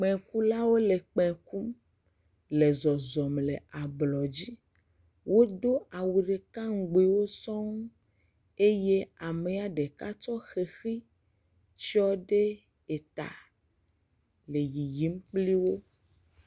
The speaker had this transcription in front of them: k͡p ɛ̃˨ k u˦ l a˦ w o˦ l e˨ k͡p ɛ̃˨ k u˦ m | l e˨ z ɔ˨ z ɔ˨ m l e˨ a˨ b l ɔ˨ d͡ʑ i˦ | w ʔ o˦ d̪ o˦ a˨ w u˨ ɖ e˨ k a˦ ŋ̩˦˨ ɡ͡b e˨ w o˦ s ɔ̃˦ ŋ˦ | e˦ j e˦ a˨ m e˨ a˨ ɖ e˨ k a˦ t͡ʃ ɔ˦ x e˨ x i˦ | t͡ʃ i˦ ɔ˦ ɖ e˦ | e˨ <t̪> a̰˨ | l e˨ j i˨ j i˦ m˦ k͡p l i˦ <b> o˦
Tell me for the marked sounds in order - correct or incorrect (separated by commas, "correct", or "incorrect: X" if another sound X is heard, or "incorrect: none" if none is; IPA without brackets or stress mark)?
correct, incorrect: w